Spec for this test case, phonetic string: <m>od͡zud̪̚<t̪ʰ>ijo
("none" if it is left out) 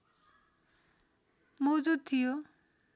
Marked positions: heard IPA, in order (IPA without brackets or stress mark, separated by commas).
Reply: m, t̪ʰ